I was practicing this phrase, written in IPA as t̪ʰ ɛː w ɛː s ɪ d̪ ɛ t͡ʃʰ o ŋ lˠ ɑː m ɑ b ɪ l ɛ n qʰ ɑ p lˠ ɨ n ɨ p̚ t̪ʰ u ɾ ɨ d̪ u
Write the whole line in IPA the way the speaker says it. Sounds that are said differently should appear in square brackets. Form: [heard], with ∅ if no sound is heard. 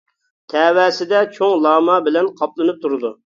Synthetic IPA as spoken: t̪ʰ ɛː w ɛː s ɪ d̪ ɛ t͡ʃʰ o ŋ lˠ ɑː m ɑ b ɪ l ɛ n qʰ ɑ p lˠ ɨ n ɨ p̚ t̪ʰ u ɾ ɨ d̪ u